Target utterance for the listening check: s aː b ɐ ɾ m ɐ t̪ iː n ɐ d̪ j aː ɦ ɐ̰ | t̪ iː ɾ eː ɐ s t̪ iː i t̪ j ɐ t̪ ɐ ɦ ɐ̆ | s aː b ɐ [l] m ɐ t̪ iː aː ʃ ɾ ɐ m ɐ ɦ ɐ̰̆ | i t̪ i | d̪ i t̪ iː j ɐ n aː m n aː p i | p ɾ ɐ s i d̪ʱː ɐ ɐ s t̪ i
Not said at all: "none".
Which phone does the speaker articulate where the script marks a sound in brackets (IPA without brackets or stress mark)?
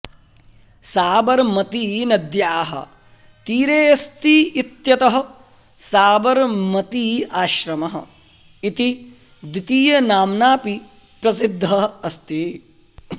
ɾ